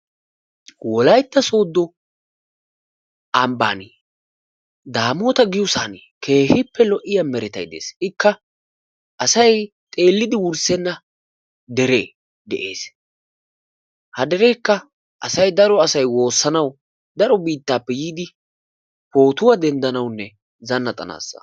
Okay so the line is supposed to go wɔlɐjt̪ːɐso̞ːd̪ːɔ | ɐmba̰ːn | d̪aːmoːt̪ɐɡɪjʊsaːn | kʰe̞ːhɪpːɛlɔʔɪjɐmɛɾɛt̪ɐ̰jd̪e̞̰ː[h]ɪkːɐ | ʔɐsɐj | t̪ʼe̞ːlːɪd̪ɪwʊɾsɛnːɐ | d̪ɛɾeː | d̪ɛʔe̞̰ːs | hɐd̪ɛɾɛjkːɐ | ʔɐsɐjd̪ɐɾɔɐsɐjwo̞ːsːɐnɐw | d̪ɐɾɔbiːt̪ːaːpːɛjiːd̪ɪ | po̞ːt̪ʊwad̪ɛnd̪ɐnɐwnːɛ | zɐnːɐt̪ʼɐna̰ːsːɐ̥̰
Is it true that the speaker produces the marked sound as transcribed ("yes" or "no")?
no